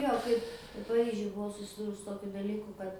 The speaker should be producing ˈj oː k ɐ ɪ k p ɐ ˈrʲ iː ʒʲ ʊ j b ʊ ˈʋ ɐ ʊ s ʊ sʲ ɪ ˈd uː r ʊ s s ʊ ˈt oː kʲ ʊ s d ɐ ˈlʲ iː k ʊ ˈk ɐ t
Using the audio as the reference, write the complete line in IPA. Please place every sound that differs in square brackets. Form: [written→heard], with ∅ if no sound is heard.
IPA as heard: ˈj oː k ɐ ɪ [k→p] p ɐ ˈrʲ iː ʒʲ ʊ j b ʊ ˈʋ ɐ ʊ s ʊ sʲ ɪ ˈd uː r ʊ s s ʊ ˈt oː kʲ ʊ [s→∅] d ɐ ˈlʲ iː k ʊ ˈk ɐ t